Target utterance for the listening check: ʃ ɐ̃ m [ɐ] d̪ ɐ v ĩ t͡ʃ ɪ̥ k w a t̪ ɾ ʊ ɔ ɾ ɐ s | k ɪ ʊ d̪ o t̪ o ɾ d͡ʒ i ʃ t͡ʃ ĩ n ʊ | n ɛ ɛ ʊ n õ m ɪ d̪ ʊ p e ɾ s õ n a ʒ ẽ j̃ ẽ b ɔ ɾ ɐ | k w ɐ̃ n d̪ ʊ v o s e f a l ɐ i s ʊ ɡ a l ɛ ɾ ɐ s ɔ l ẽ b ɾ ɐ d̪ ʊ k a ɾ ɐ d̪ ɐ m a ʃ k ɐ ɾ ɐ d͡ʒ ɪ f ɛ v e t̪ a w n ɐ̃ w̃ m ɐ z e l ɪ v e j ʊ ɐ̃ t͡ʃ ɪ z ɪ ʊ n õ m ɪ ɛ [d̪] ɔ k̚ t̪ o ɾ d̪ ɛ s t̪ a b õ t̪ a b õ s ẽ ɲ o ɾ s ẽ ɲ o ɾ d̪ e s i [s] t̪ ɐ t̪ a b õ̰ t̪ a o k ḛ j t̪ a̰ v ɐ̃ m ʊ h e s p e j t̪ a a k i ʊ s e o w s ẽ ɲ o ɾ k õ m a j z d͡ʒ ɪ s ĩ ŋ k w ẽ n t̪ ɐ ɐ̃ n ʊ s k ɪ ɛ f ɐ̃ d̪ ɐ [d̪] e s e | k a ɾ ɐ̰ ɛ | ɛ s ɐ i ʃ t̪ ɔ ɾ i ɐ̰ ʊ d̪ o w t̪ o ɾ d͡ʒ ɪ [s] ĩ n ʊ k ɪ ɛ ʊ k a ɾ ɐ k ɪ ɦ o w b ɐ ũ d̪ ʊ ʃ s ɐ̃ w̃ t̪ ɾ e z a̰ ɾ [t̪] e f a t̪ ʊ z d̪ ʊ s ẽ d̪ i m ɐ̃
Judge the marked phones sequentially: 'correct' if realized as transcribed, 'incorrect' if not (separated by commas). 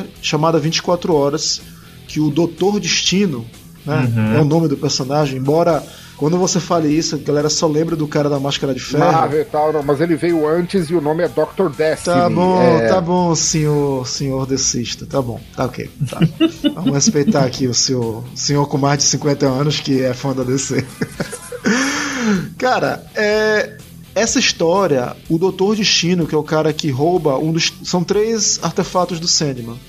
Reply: incorrect, correct, incorrect, correct, incorrect, correct